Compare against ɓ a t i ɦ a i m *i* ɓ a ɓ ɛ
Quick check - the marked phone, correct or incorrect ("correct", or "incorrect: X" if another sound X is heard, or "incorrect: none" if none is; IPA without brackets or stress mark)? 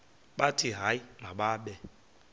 incorrect: a